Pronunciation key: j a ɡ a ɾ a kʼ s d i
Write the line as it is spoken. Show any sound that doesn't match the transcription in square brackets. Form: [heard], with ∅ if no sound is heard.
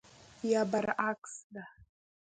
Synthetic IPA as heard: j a [b] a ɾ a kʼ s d [a]